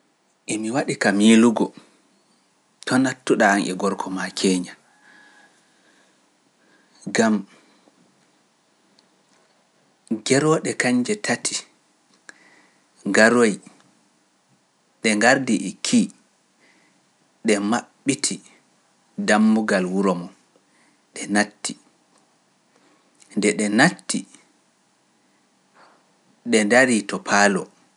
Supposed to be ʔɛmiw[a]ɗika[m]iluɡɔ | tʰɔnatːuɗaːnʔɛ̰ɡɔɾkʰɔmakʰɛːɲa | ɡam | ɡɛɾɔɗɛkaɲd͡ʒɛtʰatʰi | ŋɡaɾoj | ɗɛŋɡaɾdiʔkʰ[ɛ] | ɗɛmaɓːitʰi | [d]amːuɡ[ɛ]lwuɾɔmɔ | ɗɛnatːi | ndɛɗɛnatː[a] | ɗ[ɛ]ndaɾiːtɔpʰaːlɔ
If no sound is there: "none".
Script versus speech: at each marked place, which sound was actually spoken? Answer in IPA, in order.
a, m, i, d, a, i, ɛ

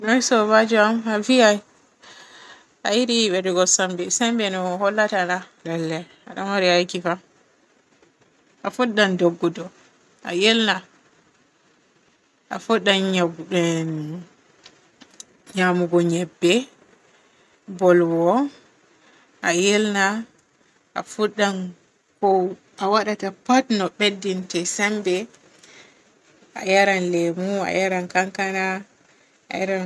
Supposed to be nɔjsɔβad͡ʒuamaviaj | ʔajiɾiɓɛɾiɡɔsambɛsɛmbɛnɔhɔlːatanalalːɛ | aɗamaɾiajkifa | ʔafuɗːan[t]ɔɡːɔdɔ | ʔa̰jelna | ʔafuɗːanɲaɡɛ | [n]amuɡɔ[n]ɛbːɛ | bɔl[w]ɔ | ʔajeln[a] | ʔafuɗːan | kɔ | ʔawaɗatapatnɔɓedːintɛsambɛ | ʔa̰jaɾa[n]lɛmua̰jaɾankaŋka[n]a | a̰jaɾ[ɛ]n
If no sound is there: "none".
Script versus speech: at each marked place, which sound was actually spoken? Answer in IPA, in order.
d, ɲ, ɲ, w, a, n, n, a

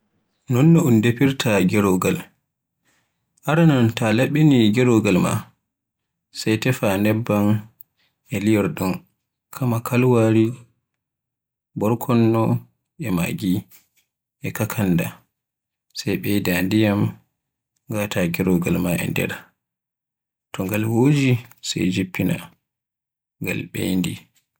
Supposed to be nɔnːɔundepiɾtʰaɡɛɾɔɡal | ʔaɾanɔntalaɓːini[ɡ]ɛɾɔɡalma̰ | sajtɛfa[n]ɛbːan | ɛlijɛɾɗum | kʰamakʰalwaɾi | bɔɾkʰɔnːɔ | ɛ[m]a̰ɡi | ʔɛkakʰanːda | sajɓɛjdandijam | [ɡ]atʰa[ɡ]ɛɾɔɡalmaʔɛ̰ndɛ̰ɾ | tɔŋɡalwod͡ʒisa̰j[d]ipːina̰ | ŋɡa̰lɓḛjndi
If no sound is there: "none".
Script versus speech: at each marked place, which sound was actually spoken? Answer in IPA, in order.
ɡ, n, m, ɡ, ɡ, d͡ʒ

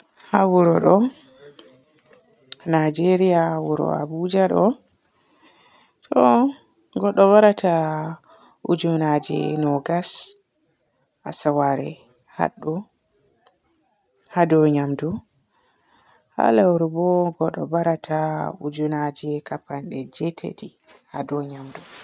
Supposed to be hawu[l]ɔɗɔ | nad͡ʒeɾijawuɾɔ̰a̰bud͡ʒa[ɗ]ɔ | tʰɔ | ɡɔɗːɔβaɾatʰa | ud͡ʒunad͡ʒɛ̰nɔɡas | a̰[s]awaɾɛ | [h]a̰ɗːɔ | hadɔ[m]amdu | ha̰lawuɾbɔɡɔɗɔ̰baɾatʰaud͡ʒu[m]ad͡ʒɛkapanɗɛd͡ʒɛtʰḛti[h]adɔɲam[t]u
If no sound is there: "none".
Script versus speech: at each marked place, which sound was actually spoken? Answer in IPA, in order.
ɾ, ɗ, s, h, ɲ, n, h, d

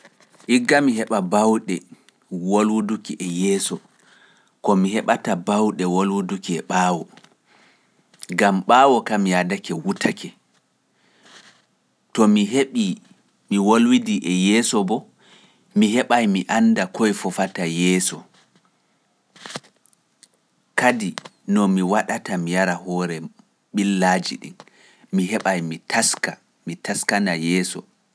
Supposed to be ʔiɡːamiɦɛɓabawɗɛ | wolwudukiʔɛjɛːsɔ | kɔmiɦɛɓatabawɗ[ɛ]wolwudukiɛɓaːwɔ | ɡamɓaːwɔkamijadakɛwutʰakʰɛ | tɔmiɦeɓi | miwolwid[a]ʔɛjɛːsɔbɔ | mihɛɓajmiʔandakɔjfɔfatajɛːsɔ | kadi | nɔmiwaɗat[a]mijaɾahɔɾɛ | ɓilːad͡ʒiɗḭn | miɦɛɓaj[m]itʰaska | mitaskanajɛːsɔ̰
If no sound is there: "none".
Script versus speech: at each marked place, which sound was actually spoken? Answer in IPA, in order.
ɛ, i, a, m

